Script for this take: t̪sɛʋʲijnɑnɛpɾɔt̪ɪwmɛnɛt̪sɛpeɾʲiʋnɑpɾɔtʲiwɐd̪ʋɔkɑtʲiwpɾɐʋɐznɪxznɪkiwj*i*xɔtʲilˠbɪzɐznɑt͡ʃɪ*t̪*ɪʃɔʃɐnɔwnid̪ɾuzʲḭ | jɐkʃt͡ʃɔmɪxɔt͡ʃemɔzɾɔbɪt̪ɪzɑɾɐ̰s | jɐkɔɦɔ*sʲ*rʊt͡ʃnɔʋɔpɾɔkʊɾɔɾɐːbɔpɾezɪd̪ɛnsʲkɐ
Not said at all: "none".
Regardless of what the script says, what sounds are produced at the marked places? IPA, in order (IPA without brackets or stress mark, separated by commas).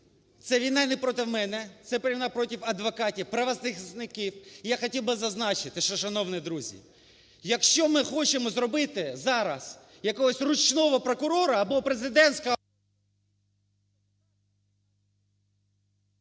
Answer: a, t̪, sʲ